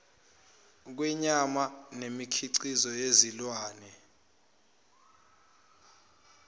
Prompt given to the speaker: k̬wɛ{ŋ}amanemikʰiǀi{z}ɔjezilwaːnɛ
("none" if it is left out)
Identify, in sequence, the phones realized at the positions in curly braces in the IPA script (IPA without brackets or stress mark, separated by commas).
ɲ, z